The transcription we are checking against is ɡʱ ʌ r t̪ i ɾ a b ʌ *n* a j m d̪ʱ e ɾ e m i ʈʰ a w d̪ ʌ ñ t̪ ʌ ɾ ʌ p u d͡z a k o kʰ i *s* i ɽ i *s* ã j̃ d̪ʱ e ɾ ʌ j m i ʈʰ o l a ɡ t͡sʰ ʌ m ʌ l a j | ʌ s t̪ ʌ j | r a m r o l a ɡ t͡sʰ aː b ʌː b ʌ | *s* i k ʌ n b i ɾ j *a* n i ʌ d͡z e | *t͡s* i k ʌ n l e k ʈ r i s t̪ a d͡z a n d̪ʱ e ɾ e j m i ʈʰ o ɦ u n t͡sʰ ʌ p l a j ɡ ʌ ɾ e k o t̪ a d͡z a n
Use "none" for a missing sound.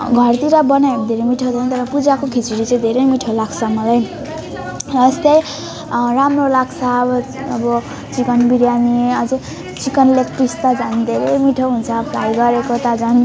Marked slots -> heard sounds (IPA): n, t͡s, t͡s, t͡s, a, t͡s

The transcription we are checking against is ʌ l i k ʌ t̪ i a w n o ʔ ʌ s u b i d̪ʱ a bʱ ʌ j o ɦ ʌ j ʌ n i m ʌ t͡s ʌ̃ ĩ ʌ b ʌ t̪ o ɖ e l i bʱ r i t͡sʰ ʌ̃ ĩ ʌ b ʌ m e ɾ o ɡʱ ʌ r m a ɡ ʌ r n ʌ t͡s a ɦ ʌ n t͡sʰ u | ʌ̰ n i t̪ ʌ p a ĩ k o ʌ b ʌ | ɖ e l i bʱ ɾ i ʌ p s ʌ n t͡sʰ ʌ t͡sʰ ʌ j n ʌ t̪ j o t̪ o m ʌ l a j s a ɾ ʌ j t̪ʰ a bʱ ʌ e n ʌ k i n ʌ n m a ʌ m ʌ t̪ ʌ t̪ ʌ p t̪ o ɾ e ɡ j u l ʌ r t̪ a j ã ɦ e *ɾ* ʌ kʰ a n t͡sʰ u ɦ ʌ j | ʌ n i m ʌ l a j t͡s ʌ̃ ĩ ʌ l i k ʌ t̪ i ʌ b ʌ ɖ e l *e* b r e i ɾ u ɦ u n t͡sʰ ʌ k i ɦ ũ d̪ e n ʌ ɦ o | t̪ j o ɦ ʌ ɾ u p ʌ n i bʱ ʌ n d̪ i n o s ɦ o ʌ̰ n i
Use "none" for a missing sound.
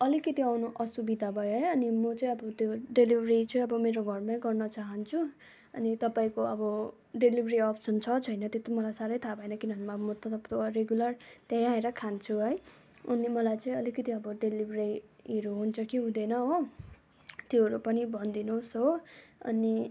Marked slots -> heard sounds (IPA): ɾ, i

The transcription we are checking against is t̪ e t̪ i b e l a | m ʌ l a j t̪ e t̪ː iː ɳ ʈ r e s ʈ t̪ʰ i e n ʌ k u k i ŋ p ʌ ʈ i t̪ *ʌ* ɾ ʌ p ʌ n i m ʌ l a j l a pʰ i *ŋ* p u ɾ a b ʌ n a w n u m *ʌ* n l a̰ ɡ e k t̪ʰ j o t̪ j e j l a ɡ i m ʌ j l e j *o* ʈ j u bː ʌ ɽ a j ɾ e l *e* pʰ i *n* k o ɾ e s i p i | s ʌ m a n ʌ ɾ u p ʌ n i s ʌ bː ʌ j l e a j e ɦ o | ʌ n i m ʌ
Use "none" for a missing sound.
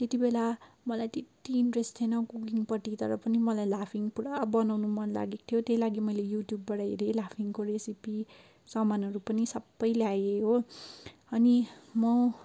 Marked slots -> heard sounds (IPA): ʌ, ŋ, ʌ, u, a, ŋ

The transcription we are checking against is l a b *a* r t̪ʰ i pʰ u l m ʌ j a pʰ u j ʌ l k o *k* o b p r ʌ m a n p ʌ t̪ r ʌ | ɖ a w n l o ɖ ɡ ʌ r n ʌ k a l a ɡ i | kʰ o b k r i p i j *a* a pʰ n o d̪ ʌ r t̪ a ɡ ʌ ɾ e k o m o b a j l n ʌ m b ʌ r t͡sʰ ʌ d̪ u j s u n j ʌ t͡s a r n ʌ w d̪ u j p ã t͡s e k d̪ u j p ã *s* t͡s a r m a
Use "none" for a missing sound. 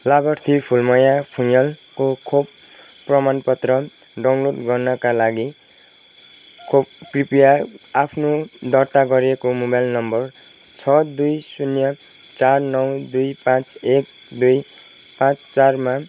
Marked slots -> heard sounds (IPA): ʌ, kʰ, a, t͡s

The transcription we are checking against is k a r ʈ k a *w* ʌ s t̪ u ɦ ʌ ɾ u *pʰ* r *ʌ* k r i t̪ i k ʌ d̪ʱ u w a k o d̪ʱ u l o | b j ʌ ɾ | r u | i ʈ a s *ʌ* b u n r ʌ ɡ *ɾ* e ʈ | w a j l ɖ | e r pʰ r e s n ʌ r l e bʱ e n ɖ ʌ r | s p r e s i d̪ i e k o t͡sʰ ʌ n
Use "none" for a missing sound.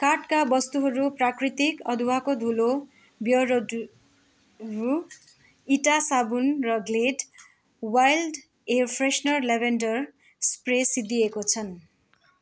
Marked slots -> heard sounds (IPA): b, p, a, a, l

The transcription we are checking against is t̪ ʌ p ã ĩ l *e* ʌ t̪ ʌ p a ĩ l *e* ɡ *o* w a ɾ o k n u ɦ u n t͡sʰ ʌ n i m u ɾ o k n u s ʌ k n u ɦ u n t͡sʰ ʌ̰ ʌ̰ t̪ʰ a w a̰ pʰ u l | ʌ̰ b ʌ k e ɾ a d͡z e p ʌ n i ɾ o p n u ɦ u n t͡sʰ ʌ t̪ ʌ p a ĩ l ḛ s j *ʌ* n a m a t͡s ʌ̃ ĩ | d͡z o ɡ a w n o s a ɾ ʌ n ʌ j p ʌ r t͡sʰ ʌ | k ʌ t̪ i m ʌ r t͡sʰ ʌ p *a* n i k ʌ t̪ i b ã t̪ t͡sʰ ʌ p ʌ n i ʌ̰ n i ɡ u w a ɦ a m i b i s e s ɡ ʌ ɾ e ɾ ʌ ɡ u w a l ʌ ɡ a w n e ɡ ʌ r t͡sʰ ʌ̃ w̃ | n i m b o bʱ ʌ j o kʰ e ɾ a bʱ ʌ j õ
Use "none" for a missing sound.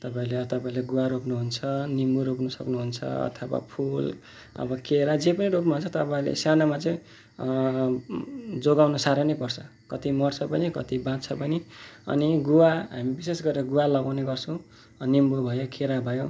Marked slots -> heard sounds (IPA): e, e, u, a, ʌ

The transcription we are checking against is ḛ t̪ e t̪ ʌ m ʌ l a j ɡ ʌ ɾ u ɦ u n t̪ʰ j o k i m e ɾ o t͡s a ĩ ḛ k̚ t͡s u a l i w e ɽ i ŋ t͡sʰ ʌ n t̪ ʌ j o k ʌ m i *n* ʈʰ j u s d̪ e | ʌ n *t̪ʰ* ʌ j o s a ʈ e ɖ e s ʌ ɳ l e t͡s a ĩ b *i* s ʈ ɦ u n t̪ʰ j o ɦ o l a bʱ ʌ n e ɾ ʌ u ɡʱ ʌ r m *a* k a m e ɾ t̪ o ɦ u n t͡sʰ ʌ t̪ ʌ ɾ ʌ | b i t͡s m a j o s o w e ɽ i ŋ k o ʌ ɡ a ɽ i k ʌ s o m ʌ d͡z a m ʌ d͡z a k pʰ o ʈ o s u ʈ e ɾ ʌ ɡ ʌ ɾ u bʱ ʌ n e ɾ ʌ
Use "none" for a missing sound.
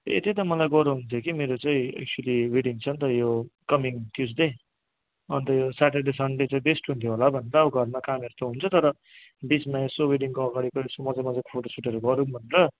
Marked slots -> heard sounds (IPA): ŋ, t̪, e, a

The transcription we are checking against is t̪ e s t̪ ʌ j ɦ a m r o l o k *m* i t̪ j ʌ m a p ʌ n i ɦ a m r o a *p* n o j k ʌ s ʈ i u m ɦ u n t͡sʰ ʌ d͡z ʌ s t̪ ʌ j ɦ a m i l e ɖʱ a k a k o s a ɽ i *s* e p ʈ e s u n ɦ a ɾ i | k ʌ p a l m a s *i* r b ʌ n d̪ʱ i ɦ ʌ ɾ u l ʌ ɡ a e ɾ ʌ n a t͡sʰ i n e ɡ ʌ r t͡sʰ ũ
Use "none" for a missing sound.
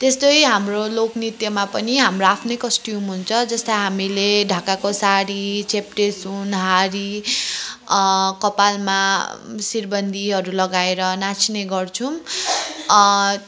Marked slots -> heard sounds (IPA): n, pʰ, t͡s, i

